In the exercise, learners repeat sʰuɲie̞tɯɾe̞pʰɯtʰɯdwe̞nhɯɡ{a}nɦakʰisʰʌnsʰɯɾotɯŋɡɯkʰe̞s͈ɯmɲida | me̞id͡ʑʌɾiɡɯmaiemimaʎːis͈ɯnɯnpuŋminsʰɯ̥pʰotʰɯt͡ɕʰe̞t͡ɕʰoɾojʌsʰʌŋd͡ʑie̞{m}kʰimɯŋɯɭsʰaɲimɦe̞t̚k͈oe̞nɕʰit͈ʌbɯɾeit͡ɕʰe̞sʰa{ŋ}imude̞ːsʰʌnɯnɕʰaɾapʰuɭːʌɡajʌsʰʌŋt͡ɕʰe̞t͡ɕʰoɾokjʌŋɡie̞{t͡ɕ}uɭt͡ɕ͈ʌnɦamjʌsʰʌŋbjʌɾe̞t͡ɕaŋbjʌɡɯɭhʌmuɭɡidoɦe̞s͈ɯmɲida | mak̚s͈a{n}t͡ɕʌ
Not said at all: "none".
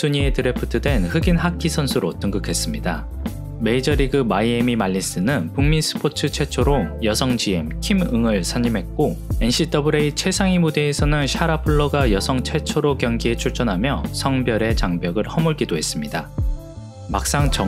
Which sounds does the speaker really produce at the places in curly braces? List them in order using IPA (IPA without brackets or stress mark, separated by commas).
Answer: i, m, ŋ, t͡ɕʰ, ŋ